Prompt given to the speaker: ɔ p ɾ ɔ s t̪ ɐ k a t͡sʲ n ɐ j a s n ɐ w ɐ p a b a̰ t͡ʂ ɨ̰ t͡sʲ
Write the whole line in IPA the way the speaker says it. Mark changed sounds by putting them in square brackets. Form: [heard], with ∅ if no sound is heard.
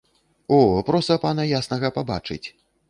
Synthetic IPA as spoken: ɔ p ɾ ɔ s t̪ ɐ [p] a [∅] n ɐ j a s n ɐ [ɣ] ɐ p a b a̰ t͡ʂ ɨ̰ t͡sʲ

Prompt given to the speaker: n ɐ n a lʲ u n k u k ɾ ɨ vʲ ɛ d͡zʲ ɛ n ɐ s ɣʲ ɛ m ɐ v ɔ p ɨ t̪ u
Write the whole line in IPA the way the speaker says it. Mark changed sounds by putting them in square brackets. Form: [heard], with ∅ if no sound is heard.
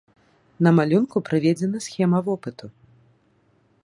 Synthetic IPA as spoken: n ɐ [m] a lʲ u n k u [p] ɾ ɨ vʲ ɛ d͡zʲ ɛ n ɐ s [xʲ] ɛ m ɐ v ɔ p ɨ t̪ u

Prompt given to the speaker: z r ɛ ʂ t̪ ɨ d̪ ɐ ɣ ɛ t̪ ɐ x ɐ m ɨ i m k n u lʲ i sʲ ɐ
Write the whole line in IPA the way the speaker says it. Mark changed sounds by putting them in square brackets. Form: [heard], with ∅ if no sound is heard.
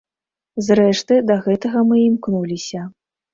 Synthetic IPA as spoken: z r ɛ ʂ t̪ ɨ d̪ ɐ ɣ ɛ t̪ ɐ [ɣ] ɐ m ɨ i m k n u lʲ i sʲ ɐ

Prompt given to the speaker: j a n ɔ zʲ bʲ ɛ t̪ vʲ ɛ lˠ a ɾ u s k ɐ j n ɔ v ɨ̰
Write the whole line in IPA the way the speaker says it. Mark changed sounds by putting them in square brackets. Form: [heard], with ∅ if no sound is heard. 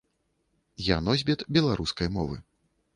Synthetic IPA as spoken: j a n ɔ zʲ bʲ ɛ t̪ [bʲ] ɛ lˠ a ɾ u s k ɐ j [m] ɔ v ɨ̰

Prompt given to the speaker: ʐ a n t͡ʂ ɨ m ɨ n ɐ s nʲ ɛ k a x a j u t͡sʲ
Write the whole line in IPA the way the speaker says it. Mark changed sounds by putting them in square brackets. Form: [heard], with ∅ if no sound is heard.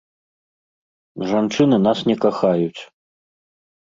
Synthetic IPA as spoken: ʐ a n t͡ʂ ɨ [n] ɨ n [a] s nʲ ɛ k a x a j u t͡sʲ

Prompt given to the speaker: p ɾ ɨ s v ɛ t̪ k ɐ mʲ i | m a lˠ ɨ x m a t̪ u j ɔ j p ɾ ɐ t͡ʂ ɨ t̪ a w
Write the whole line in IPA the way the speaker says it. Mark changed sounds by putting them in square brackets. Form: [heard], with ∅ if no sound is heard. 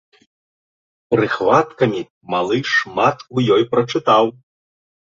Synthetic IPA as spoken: p ɾ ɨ [x] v [a] t̪ k ɐ mʲ i | m a lˠ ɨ [ʂ] m a t̪ u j ɔ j p ɾ ɐ t͡ʂ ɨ t̪ a w

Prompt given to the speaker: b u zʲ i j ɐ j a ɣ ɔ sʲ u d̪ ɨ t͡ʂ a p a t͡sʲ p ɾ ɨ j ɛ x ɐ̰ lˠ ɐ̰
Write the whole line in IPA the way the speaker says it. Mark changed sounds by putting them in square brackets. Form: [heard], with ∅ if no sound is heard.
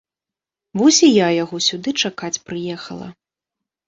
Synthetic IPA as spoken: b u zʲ i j [a] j a ɣ ɔ sʲ u d̪ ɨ t͡ʂ a [k] a t͡sʲ p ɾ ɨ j ɛ x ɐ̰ lˠ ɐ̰

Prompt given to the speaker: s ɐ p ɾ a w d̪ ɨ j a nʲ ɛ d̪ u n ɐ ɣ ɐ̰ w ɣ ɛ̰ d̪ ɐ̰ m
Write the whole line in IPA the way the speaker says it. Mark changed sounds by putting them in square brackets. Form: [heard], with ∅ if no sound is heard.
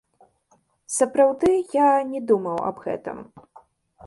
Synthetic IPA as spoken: s ɐ p ɾ a w d̪ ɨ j a nʲ ɛ d̪ u [m] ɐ [w] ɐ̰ [b] ɣ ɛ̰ [t̪] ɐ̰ m

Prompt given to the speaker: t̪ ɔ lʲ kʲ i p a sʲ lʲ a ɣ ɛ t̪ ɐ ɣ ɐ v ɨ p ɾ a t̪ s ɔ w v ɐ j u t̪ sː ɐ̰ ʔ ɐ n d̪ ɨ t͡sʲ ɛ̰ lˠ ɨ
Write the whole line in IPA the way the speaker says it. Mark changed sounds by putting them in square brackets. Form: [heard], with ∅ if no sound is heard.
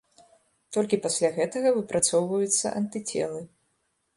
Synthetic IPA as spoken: t̪ ɔ lʲ kʲ i p a sʲ lʲ a ɣ ɛ t̪ ɐ ɣ ɐ v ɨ p ɾ a t̪ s ɔ w v ɐ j u t̪ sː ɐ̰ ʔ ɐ n [t̪] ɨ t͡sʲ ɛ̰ lˠ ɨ

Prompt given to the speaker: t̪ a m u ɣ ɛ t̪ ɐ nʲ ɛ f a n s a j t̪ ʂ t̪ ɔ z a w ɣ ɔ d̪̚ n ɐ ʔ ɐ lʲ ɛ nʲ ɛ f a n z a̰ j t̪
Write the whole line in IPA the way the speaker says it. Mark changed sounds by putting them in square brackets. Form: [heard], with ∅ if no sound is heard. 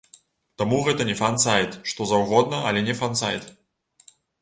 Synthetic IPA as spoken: t̪ a m u ɣ ɛ t̪ ɐ nʲ ɛ f a n s a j t̪ ʂ t̪ ɔ z a w ɣ ɔ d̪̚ n ɐ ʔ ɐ lʲ ɛ nʲ ɛ f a n [s] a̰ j t̪

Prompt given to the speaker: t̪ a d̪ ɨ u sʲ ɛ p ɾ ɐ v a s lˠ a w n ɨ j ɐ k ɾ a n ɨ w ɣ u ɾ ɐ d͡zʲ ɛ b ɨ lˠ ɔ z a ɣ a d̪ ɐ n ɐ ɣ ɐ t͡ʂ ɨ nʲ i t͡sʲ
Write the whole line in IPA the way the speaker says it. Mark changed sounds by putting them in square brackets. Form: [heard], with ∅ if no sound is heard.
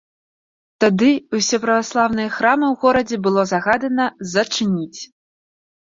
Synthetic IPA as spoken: t̪ a d̪ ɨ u sʲ ɛ p ɾ ɐ v a s lˠ a w n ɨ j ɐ [x] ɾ a [m] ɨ w ɣ [ɔ] ɾ ɐ d͡zʲ ɛ b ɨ lˠ ɔ z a ɣ a d̪ ɐ n ɐ [z] ɐ t͡ʂ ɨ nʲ i t͡sʲ

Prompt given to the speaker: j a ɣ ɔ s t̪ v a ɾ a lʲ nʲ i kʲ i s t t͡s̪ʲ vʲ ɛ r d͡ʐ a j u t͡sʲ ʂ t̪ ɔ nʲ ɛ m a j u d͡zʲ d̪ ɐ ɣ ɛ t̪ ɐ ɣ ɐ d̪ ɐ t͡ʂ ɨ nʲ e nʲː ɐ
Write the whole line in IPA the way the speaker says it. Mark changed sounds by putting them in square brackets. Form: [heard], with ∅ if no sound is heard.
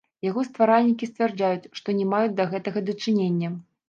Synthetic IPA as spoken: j a ɣ ɔ s t̪ v a ɾ a lʲ nʲ i kʲ i s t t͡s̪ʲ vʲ ɛ r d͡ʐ a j u t͡sʲ ʂ t̪ ɔ nʲ ɛ m a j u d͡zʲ d̪ ɐ ɣ ɛ t̪ ɐ ɣ ɐ d̪ ɐ t͡ʂ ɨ nʲ e nʲː ɐ

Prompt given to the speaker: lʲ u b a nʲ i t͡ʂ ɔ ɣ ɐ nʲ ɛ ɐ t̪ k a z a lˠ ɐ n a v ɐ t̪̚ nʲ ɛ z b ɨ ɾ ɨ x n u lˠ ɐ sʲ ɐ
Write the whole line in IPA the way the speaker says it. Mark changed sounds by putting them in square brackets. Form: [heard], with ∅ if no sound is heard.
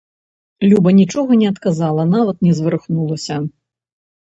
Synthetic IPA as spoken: lʲ u b [ɐ] nʲ i t͡ʂ ɔ ɣ ɐ nʲ ɛ ɐ t̪ k a z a lˠ ɐ n a v ɐ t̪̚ nʲ ɛ z [v] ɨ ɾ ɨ x n u lˠ ɐ sʲ ɐ

